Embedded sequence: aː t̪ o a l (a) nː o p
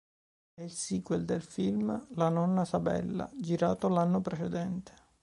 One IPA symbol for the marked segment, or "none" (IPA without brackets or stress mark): a